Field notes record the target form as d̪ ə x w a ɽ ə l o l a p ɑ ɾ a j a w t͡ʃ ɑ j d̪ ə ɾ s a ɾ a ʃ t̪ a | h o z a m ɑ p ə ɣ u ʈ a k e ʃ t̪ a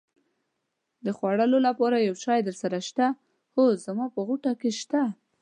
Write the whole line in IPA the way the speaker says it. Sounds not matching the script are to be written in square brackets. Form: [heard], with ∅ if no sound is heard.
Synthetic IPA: d̪ ə x w a ɽ ə l o l a p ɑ ɾ a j a w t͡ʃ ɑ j d̪ ə ɾ s a ɾ a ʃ t̪ a | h o z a m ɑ p ə ɣ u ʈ a k e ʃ t̪ a